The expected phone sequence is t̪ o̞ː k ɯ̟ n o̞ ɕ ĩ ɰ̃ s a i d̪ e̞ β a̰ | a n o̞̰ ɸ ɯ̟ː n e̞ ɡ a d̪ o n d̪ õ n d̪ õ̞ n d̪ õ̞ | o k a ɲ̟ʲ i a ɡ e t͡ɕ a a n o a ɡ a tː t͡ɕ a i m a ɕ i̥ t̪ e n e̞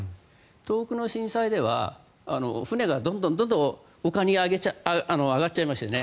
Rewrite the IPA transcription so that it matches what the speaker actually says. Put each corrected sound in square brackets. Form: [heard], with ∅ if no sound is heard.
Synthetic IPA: t̪ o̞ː k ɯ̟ n o̞ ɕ ĩ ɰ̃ s a i d̪ e̞ β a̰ | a n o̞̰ ɸ [ɯ̟] n e̞ ɡ a d̪ [õ] n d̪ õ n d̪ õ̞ n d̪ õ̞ | o k a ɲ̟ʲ i a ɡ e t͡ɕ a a n o a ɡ a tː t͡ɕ a i m a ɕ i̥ t̪ e n e̞